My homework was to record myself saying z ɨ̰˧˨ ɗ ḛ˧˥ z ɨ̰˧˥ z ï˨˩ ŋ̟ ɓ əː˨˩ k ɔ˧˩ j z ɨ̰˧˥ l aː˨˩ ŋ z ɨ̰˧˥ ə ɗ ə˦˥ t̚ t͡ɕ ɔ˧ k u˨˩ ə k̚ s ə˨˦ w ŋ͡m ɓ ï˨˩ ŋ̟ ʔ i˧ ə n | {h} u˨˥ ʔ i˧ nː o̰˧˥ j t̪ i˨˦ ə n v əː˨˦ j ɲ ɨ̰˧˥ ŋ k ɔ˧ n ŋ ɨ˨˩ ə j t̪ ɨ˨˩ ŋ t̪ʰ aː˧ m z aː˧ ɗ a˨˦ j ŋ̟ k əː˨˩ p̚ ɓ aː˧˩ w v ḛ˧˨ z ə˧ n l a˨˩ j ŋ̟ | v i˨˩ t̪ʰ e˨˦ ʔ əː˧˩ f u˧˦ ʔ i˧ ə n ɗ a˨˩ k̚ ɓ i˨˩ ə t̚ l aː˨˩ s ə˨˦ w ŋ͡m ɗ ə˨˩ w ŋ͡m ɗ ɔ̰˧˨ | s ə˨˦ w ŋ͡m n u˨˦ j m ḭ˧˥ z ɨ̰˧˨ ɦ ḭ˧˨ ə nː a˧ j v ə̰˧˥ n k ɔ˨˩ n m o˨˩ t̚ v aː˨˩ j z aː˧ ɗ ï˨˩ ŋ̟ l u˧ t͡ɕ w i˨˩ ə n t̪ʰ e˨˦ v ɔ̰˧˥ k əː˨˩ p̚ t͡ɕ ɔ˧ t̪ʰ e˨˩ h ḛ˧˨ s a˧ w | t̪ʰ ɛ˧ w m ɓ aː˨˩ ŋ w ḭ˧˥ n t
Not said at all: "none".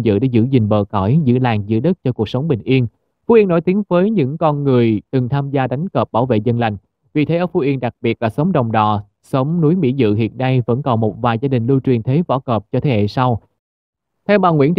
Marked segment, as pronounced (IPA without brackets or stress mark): f